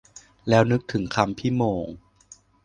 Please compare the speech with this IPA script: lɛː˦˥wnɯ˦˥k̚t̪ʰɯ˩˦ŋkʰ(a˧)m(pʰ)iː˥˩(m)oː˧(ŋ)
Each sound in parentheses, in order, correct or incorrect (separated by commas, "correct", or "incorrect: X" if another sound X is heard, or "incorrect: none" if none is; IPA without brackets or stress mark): correct, correct, correct, correct